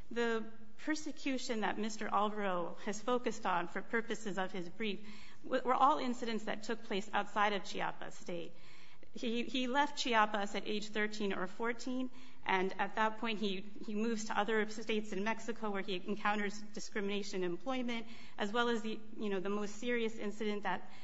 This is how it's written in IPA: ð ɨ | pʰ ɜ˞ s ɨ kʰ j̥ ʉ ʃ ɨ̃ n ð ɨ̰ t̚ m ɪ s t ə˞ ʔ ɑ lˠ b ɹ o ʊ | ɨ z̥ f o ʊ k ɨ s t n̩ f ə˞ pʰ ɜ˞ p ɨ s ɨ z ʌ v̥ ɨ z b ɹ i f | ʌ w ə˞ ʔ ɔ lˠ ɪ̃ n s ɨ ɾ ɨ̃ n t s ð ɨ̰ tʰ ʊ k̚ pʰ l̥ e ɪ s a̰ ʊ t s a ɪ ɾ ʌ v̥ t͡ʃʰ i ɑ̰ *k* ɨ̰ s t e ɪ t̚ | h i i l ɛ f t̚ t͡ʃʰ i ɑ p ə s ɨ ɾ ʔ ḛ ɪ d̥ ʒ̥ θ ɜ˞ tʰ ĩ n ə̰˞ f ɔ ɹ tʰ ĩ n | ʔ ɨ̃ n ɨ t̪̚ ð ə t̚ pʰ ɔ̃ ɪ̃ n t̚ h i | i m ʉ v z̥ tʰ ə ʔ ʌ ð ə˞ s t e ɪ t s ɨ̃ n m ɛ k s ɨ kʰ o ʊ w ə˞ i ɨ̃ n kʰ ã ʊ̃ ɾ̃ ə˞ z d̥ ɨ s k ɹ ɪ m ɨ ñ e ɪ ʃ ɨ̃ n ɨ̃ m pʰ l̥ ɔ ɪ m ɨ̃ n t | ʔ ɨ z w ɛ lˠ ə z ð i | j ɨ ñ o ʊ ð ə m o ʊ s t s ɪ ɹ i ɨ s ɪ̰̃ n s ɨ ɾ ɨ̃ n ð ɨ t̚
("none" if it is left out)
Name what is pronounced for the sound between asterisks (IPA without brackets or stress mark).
p